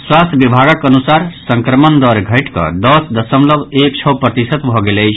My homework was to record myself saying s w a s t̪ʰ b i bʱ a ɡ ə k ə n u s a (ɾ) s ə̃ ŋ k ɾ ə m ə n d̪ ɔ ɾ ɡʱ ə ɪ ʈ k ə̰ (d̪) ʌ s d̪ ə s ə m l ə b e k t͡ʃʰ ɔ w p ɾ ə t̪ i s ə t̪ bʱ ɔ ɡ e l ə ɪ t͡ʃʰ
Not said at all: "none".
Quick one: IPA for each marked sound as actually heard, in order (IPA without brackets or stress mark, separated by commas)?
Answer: ɾ, d̪